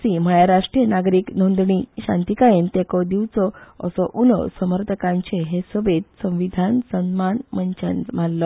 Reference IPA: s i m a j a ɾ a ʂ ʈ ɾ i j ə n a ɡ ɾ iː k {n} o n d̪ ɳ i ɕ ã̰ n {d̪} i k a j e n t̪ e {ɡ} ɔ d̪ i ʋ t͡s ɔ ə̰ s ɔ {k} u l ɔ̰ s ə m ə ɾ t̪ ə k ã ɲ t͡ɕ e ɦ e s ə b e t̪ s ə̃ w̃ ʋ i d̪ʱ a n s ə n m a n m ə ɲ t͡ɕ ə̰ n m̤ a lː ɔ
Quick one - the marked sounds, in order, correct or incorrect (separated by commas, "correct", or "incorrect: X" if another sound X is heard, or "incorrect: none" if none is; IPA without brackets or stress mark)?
correct, incorrect: t̪, incorrect: k, incorrect: ʔ